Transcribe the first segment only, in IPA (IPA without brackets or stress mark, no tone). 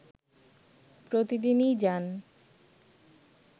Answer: p